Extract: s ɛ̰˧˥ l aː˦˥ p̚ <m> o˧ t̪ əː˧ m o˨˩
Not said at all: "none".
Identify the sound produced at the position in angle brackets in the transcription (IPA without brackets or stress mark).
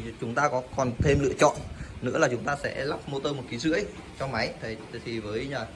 m